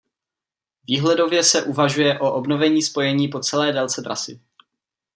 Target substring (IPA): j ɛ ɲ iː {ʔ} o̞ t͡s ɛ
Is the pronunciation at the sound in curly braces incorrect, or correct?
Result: incorrect